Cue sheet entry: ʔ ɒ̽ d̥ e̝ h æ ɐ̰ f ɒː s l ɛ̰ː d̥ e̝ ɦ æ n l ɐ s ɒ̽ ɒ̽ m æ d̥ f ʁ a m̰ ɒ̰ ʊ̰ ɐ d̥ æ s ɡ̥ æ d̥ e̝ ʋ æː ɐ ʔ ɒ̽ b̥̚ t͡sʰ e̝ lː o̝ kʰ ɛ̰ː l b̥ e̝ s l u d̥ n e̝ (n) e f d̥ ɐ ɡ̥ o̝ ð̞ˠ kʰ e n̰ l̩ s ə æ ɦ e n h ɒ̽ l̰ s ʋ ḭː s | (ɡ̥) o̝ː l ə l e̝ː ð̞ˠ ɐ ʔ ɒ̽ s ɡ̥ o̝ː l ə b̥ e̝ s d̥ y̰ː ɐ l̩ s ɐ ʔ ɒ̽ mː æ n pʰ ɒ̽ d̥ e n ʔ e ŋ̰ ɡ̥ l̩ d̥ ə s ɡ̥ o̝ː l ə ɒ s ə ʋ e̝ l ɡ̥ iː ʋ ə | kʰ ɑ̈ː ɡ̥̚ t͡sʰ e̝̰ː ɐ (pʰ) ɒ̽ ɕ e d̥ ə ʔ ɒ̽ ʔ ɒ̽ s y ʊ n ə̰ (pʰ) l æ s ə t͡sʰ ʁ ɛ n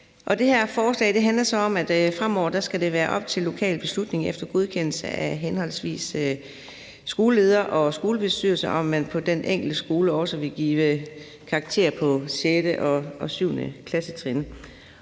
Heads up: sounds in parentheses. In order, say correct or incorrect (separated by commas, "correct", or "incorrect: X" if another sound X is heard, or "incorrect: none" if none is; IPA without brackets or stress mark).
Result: incorrect: ŋ, correct, correct, incorrect: kʰ